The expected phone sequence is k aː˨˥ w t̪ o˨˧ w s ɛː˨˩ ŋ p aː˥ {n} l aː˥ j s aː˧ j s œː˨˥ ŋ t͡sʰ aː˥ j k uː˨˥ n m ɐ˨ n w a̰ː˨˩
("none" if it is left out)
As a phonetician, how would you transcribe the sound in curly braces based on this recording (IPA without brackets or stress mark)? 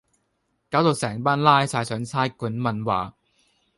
n